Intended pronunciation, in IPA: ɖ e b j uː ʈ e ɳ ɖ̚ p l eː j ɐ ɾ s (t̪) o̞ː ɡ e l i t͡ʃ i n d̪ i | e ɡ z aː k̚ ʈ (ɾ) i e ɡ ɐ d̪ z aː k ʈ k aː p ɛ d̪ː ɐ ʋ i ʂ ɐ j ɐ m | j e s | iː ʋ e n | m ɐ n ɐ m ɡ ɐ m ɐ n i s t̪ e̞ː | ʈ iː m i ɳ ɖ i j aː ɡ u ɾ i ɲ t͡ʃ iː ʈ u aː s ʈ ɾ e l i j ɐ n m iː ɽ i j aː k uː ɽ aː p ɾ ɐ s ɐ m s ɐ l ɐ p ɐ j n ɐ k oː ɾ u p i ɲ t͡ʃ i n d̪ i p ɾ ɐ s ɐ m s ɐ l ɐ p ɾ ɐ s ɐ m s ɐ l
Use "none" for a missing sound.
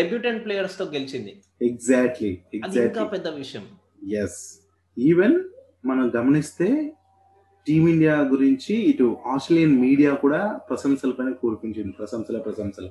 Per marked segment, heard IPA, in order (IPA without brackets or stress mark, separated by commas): t̪, l